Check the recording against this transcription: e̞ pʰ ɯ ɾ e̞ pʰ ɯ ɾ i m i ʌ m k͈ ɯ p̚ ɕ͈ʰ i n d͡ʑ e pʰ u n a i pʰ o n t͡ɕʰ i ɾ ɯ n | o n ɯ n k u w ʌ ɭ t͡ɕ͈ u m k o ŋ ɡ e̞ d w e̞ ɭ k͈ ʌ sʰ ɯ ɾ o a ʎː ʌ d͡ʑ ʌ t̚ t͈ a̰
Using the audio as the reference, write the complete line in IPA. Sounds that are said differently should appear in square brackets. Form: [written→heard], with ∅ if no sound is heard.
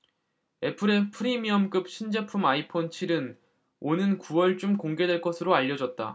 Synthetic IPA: e̞ pʰ ɯ ɾ e̞ pʰ ɯ ɾ i m i ʌ m k͈ ɯ p̚ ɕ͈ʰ i n d͡ʑ e pʰ u [n→m] a i pʰ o n t͡ɕʰ i ɾ ɯ n | o n ɯ n k u w ʌ ɭ t͡ɕ͈ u m k o ŋ ɡ e̞ d w e̞ ɭ k͈ ʌ sʰ ɯ ɾ o a ʎː ʌ d͡ʑ ʌ t̚ t͈ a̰